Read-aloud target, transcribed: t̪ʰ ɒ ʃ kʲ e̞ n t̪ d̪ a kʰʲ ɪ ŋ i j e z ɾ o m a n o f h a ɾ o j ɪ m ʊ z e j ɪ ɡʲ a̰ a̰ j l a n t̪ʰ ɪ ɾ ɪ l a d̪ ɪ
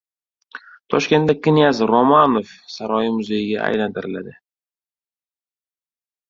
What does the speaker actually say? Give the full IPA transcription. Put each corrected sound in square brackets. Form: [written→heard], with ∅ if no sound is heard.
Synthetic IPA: t̪ʰ ɒ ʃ kʲ e̞ n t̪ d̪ a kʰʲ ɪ [ŋ→n] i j [e→a] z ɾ o m a n o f [h→s] a ɾ [o→ɒ] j ɪ m ʊ z e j ɪ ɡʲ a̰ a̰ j l a n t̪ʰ ɪ ɾ ɪ l a d̪ ɪ

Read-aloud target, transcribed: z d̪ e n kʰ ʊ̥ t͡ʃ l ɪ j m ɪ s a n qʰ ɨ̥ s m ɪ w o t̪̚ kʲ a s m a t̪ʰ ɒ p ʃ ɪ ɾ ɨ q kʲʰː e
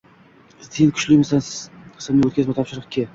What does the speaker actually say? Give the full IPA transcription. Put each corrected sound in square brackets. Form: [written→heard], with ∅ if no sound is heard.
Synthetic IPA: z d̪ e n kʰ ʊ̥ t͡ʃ l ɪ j m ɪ s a n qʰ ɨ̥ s m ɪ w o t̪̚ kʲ a [s→z] m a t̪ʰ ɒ p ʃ ɪ ɾ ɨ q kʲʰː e

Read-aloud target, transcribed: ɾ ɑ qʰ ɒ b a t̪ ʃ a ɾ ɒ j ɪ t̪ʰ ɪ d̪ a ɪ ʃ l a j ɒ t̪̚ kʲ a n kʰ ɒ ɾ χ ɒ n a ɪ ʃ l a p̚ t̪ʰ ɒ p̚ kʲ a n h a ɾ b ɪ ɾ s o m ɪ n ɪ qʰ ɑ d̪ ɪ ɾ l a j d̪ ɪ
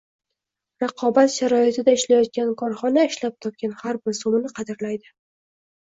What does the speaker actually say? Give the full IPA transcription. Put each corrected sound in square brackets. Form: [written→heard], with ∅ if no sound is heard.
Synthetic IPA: ɾ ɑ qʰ ɒ b a t̪ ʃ a ɾ ɒ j ɪ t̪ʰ ɪ d̪ a ɪ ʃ l a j ɒ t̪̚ kʲ a n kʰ ɒ ɾ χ ɒ n a ɪ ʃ l a p̚ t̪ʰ ɒ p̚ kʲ a n h a ɾ b ɪ ɾ s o m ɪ n ɪ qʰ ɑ d̪ ɪ ɾ l a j d̪ ɪ

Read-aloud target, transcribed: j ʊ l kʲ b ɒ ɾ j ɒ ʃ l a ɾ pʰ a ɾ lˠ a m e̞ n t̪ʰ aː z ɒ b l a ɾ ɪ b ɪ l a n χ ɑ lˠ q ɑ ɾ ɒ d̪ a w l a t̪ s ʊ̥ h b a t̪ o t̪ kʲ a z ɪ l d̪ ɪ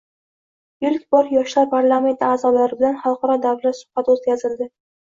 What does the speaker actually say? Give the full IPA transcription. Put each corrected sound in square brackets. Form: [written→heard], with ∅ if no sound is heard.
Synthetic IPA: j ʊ l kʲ b ɒ ɾ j ɒ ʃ l a ɾ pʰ a ɾ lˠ a m e̞ n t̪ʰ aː z ɒ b l a ɾ ɪ b ɪ l a n χ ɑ lˠ q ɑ ɾ ɒ d̪ a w l a t̪ s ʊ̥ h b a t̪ o t̪ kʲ a z ɪ l d̪ ɪ

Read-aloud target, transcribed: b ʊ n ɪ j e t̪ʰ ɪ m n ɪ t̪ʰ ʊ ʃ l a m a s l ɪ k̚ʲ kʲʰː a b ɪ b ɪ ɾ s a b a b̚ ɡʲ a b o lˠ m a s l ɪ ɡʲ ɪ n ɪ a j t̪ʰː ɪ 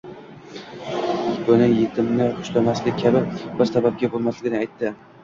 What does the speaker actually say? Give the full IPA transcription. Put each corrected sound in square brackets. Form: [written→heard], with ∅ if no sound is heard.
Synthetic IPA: b ʊ n ɪ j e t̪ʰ ɪ m n ɪ [t̪ʰ→∅] ʊ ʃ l a m a s l ɪ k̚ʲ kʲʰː a b ɪ b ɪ ɾ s a b a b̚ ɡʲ a b o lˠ m a s l ɪ ɡʲ ɪ n ɪ a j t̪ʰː ɪ

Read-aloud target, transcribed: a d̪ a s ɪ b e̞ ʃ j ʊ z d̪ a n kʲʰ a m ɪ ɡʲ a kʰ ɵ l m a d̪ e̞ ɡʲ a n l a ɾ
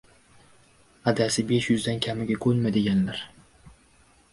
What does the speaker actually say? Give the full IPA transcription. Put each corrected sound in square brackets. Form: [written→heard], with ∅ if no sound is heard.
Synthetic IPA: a d̪ a s ɪ b e̞ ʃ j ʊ z d̪ a n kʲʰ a m ɪ ɡʲ a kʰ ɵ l m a d̪ e̞ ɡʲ a n l a ɾ

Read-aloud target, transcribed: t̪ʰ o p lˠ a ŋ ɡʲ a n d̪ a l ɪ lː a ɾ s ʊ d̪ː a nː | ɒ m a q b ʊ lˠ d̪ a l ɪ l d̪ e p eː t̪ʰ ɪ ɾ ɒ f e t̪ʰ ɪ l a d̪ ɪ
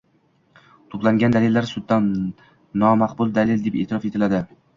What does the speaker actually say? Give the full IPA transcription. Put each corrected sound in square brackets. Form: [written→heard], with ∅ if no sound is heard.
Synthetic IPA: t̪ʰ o p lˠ a ŋ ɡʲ a n d̪ a l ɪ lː a ɾ s ʊ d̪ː a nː | ɒ m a q b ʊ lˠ d̪ a l ɪ l d̪ e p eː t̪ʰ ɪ ɾ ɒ f e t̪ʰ ɪ l a d̪ ɪ

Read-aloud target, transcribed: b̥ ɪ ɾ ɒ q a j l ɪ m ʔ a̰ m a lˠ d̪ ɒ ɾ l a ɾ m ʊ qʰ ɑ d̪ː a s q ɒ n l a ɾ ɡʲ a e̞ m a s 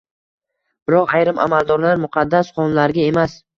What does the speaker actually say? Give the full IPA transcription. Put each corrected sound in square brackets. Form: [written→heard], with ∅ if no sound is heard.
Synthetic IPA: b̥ ɪ ɾ ɒ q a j [l→ɾ] ɪ m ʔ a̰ m a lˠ d̪ ɒ ɾ l a ɾ m ʊ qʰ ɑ d̪ː a s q ɒ n l a ɾ ɡʲ a e̞ m a s

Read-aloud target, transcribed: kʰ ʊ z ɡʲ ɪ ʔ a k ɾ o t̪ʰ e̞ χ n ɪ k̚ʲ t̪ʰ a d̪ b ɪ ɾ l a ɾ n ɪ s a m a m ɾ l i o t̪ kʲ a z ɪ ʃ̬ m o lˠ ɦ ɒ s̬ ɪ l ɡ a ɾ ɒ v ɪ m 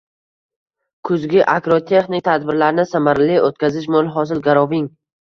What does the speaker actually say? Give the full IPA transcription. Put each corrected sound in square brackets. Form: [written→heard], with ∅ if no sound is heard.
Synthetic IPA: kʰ ʊ z ɡʲ ɪ ʔ a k ɾ o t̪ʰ e̞ χ n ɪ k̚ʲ t̪ʰ a d̪ b ɪ ɾ l a ɾ n ɪ s a m a [m→∅] ɾ l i o t̪ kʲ a z ɪ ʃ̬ m o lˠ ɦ ɒ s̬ ɪ l ɡ a ɾ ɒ v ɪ [m→ŋ]

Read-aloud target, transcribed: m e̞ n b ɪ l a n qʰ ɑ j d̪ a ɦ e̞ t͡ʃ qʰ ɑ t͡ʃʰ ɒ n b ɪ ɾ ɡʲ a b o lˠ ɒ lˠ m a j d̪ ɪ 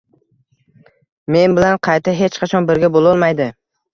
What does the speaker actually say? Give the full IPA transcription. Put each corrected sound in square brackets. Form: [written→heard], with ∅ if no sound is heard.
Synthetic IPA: m e̞ n b ɪ l a n qʰ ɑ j [d̪→t̪] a ɦ e̞ t͡ʃ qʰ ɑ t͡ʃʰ ɒ n b ɪ ɾ ɡʲ a b o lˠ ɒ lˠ m a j d̪ ɪ

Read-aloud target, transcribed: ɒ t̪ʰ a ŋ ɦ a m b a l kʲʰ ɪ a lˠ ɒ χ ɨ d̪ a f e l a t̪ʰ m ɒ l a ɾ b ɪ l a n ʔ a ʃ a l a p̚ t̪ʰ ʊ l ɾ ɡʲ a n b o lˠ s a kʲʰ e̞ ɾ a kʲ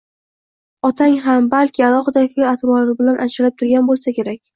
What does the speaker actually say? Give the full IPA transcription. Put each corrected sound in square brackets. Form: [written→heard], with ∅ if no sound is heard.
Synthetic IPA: ɒ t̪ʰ a ŋ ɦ a m b a l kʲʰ ɪ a lˠ ɒ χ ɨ d̪ a f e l a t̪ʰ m ɒ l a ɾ b ɪ l a n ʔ a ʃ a l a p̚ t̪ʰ ʊ [l→∅] ɾ ɡʲ a n b o lˠ s a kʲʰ e̞ ɾ a kʲ

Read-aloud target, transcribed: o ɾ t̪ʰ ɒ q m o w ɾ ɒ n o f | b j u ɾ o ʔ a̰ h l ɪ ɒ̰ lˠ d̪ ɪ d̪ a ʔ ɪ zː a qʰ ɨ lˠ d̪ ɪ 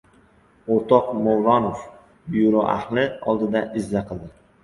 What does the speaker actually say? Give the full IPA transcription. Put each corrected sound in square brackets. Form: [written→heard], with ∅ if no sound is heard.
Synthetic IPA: o ɾ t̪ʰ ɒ q m o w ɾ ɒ n o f | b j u ɾ o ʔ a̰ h l ɪ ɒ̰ lˠ d̪ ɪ d̪ a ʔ ɪ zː a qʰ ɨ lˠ d̪ ɪ

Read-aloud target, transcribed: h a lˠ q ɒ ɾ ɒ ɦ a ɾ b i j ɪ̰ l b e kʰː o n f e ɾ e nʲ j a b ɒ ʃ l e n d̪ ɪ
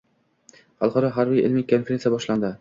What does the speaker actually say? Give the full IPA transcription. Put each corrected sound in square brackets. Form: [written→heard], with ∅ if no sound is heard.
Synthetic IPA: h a lˠ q ɒ ɾ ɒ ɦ a ɾ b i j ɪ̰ l [b→m] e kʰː o n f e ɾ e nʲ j a b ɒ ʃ l [e→a] n d̪ ɪ

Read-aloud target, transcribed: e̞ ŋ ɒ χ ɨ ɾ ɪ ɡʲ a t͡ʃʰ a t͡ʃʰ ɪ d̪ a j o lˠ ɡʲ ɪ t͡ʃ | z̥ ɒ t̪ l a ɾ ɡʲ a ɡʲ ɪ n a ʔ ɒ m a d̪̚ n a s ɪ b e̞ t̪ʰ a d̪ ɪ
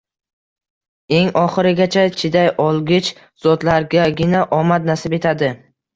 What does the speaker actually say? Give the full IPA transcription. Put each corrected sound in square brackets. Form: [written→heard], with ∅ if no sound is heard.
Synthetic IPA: e̞ ŋ ɒ χ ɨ ɾ ɪ ɡʲ a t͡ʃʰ a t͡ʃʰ ɪ d̪ a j [o→ɒ] lˠ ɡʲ ɪ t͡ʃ | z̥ ɒ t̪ l a ɾ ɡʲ a ɡʲ ɪ n a ʔ ɒ m a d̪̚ n a s ɪ b e̞ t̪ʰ a d̪ ɪ

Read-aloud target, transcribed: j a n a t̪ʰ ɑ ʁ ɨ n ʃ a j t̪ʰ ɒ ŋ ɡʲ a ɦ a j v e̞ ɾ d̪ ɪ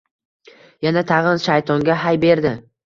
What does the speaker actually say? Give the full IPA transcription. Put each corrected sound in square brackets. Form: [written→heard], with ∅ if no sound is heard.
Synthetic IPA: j a n a t̪ʰ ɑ ʁ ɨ n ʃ a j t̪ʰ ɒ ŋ ɡʲ a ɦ a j [v→b] e̞ ɾ d̪ ɪ

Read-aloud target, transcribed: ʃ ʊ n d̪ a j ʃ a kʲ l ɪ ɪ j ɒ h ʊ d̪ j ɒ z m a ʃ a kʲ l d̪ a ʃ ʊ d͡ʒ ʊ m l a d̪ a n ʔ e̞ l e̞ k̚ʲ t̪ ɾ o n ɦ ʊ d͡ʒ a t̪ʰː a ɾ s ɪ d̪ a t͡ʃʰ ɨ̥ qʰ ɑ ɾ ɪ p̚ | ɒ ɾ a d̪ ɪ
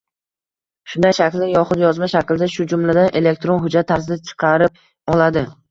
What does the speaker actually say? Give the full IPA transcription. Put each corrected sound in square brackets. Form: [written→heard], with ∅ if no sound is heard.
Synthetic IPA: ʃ ʊ n d̪ a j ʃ a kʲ l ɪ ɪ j ɒ [h→χ] ʊ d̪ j ɒ z m a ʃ a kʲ l d̪ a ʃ ʊ d͡ʒ ʊ m l a d̪ a n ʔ e̞ l e̞ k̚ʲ t̪ ɾ o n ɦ ʊ d͡ʒ a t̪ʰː a ɾ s ɪ d̪ a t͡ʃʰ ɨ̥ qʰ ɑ ɾ ɪ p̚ | ɒ [ɾ→l] a d̪ ɪ

